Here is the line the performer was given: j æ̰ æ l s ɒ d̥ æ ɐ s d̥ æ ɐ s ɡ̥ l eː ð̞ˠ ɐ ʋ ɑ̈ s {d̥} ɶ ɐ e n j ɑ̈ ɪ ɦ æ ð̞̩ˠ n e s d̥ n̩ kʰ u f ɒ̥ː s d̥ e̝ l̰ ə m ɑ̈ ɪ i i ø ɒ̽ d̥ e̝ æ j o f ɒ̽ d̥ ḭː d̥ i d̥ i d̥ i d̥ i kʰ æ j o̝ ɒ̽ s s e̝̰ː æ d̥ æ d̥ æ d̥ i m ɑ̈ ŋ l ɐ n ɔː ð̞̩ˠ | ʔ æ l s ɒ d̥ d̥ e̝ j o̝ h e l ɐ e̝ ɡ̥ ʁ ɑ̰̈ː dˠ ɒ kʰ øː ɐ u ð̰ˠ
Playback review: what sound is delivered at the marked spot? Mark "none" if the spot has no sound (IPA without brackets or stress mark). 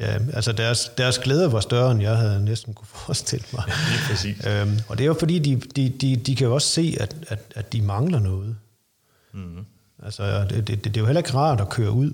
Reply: d̥